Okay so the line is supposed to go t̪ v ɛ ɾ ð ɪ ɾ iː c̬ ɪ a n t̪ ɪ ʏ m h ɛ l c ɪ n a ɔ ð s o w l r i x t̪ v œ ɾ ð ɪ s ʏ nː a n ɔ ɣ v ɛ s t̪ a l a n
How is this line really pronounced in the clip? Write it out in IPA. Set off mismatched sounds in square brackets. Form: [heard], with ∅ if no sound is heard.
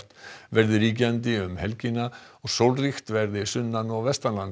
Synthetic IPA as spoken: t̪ v ɛ ɾ ð ɪ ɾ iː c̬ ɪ a n t̪ ɪ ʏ m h ɛ l c ɪ n a ɔ [ɣ] s o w l r i x t̪ v [ɛ] ɾ ð ɪ s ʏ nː a n ɔ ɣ v ɛ s t̪ a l a n